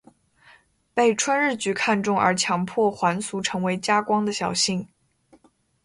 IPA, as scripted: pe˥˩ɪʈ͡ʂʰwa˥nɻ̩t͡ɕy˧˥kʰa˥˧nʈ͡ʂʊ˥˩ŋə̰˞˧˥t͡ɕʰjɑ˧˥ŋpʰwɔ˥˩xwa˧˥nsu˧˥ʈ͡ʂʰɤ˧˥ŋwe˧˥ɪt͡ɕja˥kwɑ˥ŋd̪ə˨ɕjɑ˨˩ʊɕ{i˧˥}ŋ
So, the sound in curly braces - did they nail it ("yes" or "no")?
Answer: no